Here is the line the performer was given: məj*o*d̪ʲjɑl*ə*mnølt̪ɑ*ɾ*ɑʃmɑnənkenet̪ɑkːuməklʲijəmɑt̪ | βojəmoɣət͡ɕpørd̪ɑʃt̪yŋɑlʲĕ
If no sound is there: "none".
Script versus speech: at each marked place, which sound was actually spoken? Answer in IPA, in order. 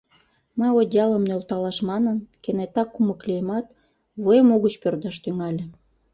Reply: o, ə, l

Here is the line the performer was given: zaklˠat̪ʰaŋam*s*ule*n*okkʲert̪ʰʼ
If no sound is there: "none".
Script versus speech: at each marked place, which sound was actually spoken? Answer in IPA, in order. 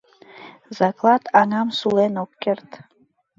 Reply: s, n

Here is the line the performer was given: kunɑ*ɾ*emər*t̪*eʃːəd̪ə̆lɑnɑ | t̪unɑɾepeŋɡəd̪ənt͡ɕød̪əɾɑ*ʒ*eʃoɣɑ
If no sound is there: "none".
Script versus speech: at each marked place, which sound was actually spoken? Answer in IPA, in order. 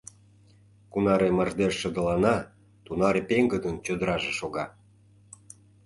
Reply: ɾ, d̪, ʒ

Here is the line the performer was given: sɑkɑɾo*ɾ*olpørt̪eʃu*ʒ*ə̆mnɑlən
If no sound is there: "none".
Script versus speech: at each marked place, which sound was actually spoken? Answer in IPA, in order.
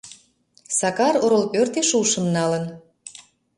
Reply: ɾ, ʃ

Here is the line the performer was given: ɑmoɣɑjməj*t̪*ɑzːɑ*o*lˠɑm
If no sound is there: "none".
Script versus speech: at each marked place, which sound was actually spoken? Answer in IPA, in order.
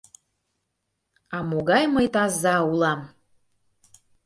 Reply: t̪, u

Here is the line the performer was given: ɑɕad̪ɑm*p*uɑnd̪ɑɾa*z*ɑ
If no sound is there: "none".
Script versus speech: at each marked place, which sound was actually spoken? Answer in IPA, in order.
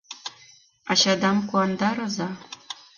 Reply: k, z

